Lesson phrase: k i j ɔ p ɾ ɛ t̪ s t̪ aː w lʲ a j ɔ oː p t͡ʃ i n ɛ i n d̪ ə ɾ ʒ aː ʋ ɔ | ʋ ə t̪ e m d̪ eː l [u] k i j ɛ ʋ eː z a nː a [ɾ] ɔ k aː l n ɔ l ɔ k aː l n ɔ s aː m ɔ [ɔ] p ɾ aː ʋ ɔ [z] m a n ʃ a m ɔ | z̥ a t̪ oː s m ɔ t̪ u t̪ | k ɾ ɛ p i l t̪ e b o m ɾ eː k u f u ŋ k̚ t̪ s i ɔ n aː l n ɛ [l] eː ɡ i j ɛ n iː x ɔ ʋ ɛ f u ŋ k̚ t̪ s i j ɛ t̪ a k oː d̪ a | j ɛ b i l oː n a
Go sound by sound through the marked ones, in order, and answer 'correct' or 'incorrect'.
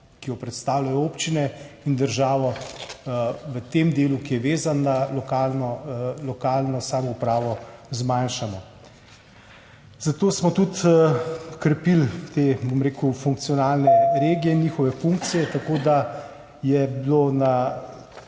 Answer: correct, incorrect, incorrect, correct, incorrect

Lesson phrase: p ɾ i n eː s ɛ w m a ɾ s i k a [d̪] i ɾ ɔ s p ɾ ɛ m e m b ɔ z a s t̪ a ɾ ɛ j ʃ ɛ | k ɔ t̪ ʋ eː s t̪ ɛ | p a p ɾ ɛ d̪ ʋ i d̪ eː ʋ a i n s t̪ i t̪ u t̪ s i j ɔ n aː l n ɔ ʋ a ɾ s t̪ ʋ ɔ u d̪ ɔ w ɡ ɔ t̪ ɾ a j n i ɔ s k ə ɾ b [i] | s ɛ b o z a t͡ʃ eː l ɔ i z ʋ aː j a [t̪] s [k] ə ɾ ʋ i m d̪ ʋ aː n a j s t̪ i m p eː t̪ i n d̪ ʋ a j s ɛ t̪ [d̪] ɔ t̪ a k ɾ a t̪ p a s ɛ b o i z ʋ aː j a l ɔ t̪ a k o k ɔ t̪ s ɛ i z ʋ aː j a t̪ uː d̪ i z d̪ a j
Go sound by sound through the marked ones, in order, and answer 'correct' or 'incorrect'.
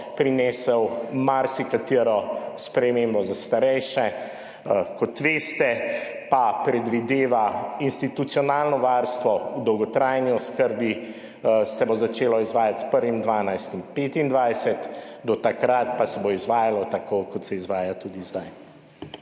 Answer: incorrect, correct, correct, incorrect, correct

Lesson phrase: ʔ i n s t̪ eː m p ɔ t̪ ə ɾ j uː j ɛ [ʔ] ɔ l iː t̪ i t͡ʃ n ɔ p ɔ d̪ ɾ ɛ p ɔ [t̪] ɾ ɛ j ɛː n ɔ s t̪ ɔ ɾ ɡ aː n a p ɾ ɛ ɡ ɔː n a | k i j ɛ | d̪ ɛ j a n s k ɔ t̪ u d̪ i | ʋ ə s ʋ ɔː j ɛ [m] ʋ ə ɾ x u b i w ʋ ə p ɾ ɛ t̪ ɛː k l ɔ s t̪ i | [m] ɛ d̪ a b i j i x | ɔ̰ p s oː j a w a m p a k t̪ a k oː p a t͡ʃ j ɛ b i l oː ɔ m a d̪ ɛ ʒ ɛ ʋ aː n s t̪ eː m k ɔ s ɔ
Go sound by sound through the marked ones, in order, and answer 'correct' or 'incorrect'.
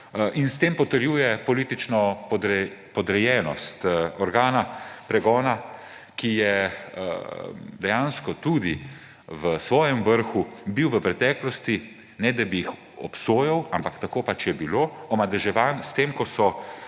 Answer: incorrect, incorrect, correct, incorrect

